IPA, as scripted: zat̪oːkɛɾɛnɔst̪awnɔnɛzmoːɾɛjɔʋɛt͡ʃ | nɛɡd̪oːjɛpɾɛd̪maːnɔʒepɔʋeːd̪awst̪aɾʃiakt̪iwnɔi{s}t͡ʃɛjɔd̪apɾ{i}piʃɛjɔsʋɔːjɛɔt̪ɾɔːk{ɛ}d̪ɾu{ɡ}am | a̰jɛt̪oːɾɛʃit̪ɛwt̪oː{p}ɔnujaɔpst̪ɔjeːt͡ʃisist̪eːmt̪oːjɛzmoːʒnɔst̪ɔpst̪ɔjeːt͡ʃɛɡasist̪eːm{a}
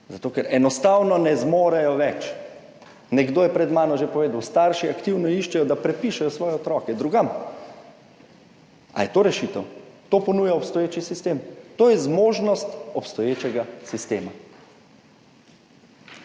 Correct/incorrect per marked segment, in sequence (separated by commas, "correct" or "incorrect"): incorrect, incorrect, correct, correct, correct, correct